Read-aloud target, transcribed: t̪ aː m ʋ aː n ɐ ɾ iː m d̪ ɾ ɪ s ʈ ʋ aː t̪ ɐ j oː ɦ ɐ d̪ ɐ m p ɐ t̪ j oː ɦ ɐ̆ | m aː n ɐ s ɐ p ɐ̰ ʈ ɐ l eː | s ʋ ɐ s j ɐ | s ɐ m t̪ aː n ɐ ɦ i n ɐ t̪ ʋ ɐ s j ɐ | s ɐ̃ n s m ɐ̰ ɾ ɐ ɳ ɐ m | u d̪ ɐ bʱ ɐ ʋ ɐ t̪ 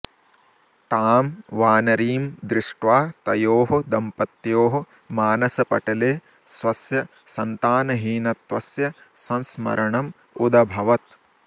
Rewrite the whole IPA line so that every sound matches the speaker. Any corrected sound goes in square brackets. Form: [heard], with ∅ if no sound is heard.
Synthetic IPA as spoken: t̪ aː m ʋ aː n ɐ ɾ iː m d̪ ɾ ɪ [ʂ] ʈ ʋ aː t̪ ɐ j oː ɦ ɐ d̪ ɐ m p ɐ t̪ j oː ɦ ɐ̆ | m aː n ɐ s ɐ p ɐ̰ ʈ ɐ l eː | s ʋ ɐ s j ɐ | s ɐ [n] t̪ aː n ɐ ɦ [iː] n ɐ t̪ ʋ ɐ s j ɐ | s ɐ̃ n s m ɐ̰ ɾ ɐ ɳ ɐ m | u d̪ ɐ bʱ ɐ ʋ ɐ t̪